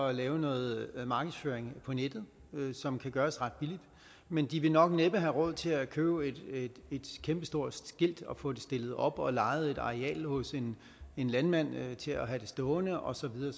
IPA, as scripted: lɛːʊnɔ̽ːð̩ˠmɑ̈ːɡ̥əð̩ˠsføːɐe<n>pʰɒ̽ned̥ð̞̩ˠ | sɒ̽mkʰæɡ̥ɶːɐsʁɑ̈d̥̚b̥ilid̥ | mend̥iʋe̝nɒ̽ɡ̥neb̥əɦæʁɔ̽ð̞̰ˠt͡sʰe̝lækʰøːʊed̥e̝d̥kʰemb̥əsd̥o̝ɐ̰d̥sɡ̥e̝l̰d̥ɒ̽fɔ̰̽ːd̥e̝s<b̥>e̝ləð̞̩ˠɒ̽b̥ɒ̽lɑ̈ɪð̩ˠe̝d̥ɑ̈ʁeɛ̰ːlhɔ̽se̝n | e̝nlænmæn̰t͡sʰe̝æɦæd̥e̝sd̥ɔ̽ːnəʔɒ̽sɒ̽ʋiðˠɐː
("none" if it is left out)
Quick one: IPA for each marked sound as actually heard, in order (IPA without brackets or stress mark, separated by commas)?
ŋ, d̥